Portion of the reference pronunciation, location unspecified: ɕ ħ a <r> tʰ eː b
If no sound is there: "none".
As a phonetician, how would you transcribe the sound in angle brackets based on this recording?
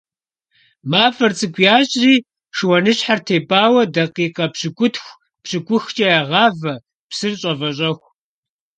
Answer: r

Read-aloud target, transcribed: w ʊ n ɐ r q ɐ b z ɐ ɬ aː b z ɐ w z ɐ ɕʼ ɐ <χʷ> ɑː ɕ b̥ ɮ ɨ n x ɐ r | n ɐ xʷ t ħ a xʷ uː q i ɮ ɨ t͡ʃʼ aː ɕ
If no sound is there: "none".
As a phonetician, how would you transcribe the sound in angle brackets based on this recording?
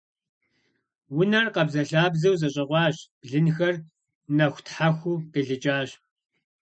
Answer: ʁʷ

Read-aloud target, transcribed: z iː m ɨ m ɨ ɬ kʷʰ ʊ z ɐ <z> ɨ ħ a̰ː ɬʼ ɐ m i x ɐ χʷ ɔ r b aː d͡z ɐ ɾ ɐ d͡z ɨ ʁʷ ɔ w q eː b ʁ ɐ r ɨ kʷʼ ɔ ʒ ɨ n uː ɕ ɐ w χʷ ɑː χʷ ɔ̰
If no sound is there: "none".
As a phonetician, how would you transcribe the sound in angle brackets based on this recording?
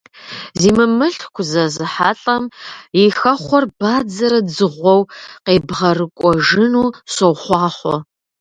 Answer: z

